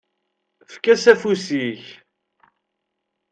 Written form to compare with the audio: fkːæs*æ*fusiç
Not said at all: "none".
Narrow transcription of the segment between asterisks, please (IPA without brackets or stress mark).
æ